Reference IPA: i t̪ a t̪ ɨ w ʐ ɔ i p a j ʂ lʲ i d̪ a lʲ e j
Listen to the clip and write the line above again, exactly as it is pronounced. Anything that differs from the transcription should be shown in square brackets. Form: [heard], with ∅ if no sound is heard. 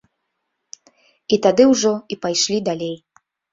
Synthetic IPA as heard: i t̪ a [d̪] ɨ w ʐ ɔ i p a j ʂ lʲ i d̪ a lʲ e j